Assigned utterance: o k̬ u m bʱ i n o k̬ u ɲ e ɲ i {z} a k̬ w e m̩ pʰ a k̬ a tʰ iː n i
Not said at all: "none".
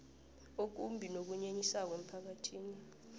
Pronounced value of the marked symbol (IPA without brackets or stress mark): s